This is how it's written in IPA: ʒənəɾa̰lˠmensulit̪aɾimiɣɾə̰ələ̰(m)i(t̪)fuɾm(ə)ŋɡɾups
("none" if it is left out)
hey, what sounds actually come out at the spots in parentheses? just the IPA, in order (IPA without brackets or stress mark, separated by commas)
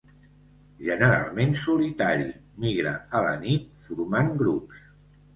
n, t̪, a